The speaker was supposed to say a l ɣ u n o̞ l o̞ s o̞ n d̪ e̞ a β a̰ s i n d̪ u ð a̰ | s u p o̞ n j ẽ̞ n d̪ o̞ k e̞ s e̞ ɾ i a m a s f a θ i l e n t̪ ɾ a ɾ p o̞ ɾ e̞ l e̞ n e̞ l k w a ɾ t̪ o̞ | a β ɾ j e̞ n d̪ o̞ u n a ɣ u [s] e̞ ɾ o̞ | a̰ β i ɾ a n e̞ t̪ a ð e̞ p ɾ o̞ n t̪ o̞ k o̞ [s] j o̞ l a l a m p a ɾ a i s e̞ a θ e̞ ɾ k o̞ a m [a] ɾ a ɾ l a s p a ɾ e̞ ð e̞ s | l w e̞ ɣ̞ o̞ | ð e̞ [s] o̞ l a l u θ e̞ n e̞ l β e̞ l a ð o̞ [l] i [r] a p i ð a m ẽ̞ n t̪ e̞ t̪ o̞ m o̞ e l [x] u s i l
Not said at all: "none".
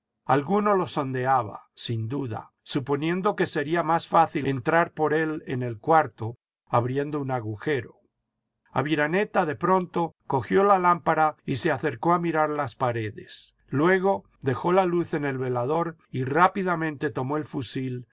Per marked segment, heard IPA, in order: x, x, i, x, ɾ, r, f

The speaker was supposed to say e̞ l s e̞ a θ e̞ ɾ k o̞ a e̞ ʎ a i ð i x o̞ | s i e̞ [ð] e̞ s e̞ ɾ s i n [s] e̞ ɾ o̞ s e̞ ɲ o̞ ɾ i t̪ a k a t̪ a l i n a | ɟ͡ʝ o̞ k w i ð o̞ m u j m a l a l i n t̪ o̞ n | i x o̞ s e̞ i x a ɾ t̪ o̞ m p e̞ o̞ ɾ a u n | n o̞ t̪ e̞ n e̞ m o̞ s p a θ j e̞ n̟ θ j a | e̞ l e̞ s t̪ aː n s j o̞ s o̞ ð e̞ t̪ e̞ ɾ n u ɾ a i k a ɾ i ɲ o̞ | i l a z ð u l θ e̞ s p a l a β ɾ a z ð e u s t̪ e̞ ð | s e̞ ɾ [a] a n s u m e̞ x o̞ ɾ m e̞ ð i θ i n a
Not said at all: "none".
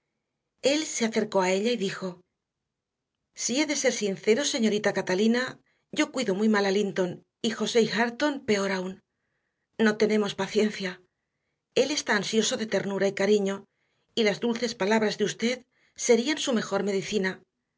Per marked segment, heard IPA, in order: ð, θ, i

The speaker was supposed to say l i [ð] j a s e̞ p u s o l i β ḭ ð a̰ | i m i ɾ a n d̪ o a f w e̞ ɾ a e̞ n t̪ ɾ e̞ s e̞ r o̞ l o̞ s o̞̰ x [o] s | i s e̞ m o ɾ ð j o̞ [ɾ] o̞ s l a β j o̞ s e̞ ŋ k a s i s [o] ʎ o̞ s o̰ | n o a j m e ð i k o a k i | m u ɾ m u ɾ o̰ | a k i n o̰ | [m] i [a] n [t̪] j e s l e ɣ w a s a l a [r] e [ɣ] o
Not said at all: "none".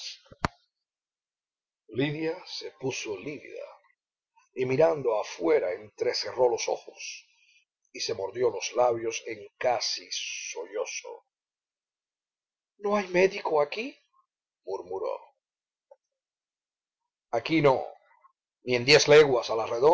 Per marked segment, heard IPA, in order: ð, o, l, o, n, e, d̪, r, ð

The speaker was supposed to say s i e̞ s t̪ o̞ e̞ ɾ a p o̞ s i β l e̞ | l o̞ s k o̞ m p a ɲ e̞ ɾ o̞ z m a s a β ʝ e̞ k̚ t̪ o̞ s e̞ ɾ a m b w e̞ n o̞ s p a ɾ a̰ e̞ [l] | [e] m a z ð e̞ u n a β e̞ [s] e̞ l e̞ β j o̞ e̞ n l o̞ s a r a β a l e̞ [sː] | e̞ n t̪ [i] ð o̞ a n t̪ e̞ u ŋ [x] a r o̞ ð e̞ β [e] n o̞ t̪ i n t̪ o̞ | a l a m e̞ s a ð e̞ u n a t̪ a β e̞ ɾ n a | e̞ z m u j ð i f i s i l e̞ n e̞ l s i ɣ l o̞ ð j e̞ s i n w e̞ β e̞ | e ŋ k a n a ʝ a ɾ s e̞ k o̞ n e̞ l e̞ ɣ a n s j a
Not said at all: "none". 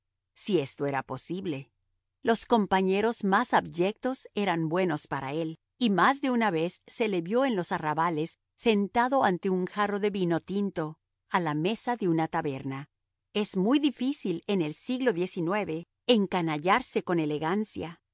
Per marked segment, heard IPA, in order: l, i, sː, sː, a, x, i

